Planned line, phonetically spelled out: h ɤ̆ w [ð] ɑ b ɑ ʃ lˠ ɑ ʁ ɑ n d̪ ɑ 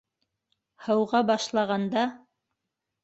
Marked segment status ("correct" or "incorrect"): incorrect